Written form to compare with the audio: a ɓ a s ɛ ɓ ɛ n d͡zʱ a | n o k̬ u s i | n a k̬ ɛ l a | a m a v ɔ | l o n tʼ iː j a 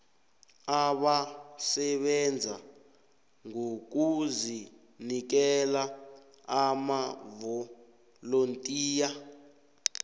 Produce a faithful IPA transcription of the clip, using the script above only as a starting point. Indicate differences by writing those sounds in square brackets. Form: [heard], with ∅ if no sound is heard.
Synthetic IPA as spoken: a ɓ a s ɛ ɓ ɛ n d͡zʱ a | [ŋ] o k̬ u [z] i | n [i] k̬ ɛ l a | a m a v ɔ | l o n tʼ iː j a